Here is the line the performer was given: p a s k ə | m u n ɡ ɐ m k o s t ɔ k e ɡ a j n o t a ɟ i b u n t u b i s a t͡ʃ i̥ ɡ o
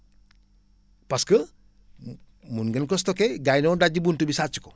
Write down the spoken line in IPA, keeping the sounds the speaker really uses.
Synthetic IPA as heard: p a s k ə | m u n ɡ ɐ n k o s t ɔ k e ɡ a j n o d a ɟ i b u n t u b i s a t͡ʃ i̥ k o

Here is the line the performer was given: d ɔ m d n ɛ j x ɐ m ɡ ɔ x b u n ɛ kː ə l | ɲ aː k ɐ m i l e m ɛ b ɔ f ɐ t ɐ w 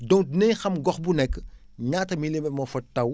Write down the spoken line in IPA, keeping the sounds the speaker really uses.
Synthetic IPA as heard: d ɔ ŋ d n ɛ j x ɐ m ɡ ɔ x b u n ɛ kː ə | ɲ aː t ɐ m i l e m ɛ m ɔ f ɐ t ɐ w

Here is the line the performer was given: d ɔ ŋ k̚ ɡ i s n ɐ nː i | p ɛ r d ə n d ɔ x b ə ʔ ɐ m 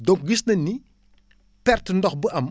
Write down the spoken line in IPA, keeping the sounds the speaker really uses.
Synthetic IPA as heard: d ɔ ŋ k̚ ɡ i s n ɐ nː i | p ɛ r t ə n d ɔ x b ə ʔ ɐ m

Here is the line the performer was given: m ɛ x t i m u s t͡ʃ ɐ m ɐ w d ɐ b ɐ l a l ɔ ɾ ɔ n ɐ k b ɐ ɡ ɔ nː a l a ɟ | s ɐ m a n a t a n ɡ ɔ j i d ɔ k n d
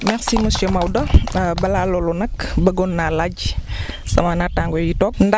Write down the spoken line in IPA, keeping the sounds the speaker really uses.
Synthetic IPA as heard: m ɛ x s i m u s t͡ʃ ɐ m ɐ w d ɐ b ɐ l a l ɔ l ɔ n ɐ k b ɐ ɡ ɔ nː a l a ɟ | s ɐ m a n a t a ŋ ɡ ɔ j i t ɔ k n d

